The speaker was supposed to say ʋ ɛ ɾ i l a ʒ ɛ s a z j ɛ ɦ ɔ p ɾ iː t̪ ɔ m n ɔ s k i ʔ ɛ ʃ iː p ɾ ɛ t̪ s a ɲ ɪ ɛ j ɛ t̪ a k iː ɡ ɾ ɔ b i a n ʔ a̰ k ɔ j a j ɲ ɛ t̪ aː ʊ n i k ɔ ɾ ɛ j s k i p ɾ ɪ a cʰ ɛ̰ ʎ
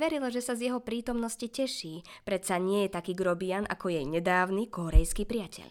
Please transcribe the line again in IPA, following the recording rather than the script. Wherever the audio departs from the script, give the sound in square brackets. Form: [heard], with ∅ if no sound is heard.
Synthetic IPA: ʋ ɛ ɾ i l a ʒ ɛ s a z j ɛ ɦ ɔ p ɾ iː t̪ ɔ m n ɔ s [c] i [c] ɛ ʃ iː p ɾ ɛ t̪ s a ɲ ɪ ɛ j ɛ t̪ a k iː ɡ ɾ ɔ b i a n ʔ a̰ k ɔ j [ɛ] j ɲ ɛ [d̪] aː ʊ n i k ɔ ɾ ɛ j s k i p ɾ ɪ a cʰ ɛ̰ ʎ